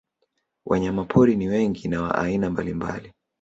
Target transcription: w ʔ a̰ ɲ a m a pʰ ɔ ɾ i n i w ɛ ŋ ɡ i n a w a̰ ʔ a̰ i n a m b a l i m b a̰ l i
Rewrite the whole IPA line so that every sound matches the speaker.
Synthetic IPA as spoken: w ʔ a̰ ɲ a m a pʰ ɔ ɾ i n i w ɛ ŋ ɡ i n a w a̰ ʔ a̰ i n a m b a l i m b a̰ l i

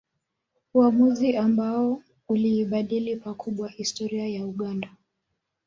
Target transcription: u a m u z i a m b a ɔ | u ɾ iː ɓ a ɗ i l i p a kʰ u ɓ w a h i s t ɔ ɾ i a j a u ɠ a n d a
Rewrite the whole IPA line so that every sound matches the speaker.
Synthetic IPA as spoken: u a m u z i a m b a ɔ | u l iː ɓ a ɗ i l i p a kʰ u ɓ w a h i s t ɔ ɾ i a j a u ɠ a n d a

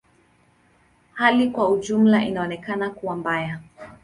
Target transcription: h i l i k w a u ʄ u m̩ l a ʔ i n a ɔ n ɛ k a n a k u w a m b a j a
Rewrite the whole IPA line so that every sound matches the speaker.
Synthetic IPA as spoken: h a l i k w a u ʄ u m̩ l a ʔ i n a ɔ n ɛ k a n a k u w a m b a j a

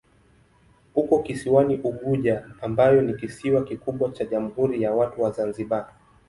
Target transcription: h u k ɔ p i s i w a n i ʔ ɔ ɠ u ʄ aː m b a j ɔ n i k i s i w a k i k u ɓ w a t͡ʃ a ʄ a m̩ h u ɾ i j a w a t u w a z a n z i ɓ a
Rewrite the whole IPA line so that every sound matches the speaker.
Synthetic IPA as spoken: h u k ɔ k i s i w a n i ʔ u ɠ u ʄ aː m b a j ɔ n i k i s i w a k i k u ɓ w a t͡ʃ a ʄ a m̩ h u ɾ i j a w a t u w a z a n z i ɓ a

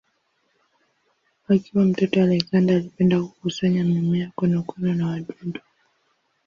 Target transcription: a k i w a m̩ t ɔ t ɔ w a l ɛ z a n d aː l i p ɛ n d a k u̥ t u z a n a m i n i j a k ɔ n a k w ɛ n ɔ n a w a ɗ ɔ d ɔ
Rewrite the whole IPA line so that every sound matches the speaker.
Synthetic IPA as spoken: a k i w a m̩ t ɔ t ɔ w a l ɛ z a n d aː l i p ɛ n d a k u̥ k u s a ɲ a m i m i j a k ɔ n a k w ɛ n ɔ n a w a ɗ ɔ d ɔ

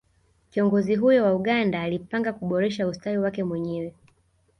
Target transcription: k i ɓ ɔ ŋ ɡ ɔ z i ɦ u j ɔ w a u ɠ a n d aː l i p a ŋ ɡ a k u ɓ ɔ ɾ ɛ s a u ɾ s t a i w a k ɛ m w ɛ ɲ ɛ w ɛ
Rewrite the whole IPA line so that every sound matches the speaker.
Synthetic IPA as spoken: k i ɔ ŋ ɡ ɔ z i ɦ u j ɔ w a u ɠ a n d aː l i p a ŋ ɡ a k u ɓ ɔ ɾ ɛ ʃ a u s t a i w a k ɛ m w ɛ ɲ ɛ w ɛ

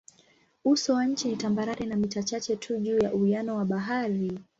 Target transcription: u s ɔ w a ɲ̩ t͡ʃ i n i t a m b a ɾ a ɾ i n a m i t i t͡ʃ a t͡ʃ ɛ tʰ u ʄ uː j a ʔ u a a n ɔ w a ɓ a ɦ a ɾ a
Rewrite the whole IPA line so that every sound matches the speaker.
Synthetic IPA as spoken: u s ɔ w a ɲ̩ t͡ʃ i n i t a m b a ɾ a ɾ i n a m i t a t͡ʃ a t͡ʃ ɛ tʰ u ʄ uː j a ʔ u i a n ɔ w a ɓ a ɦ a ɾ i

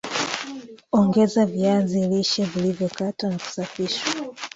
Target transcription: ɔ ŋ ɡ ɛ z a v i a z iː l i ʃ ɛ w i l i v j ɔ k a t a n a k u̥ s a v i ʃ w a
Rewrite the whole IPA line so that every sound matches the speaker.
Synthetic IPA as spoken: ɔ ŋ ɡ ɛ z a v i a z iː l i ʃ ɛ v i l i v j ɔ k a t a n a k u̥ s a f i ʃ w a

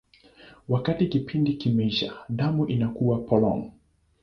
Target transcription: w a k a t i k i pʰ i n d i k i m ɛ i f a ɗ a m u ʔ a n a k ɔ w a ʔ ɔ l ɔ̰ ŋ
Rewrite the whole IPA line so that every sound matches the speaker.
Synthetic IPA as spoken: w a k a t i k i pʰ i n d i k i m ɛ i ʃ a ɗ a m u ʔ i n a k u w a p ɔ l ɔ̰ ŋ

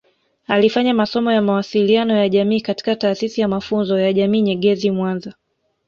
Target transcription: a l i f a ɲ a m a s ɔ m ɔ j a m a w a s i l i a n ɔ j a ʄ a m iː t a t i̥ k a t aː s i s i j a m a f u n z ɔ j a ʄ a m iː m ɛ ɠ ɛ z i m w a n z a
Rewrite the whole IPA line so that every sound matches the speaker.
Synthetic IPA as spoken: a l i f a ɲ a m a s ɔ m ɔ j a m a w a s i l i a n ɔ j a ʄ a m iː k a t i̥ k a t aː s i s i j a m a f u n z ɔ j a ʄ a m iː ɲ ɛ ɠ ɛ z i m w a n z a

